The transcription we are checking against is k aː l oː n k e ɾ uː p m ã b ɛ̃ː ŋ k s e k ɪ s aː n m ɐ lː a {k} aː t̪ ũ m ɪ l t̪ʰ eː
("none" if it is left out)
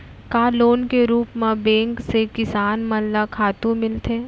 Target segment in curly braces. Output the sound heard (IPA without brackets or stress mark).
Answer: kʰ